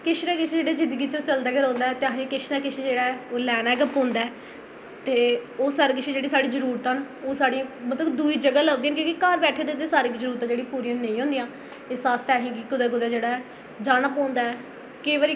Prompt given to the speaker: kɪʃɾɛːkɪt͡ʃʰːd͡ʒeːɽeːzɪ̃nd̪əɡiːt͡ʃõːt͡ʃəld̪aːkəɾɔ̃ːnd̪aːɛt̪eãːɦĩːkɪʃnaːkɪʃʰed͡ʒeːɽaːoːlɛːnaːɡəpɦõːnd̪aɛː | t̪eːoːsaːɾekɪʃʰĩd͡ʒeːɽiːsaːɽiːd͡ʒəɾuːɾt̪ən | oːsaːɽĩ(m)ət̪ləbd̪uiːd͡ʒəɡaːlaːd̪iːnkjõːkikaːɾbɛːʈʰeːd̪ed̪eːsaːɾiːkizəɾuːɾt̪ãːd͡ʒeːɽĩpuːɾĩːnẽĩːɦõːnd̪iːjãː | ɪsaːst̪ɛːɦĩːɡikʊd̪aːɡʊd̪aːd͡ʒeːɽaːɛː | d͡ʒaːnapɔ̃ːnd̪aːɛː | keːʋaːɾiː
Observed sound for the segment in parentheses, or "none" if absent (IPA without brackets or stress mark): m